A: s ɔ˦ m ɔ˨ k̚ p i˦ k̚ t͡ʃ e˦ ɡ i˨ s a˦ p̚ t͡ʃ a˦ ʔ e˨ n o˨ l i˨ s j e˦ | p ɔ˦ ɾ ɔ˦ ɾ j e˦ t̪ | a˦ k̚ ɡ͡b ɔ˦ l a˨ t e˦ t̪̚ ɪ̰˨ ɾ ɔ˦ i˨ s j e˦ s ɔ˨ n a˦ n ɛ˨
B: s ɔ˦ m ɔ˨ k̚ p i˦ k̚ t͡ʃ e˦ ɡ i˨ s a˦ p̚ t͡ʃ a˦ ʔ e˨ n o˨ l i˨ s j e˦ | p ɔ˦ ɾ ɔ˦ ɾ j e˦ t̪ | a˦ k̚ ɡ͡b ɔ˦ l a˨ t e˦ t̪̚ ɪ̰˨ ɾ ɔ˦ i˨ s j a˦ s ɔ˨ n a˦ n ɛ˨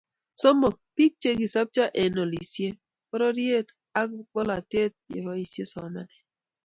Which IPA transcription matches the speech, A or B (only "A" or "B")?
A